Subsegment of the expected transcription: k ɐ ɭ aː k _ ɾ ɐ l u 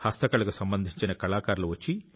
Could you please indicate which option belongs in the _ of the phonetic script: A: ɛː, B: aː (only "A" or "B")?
B